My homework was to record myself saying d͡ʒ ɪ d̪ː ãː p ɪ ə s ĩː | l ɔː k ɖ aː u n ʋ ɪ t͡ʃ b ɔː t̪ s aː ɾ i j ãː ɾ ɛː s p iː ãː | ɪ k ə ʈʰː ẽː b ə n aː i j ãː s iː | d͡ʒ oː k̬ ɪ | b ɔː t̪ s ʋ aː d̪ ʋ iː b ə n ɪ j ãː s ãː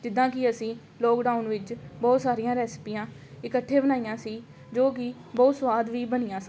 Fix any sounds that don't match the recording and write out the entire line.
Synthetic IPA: d͡ʒ ɪ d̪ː ãː k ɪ ə s ĩː | l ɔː k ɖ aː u n ʋ ɪ t͡ʃ b ɔː t̪ s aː ɾ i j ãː ɾ ɛː s p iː ãː | ɪ k ə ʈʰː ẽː b ə n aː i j ãː s iː | d͡ʒ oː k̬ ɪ | b ɔː t̪ s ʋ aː d̪ ʋ iː b ə n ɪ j ãː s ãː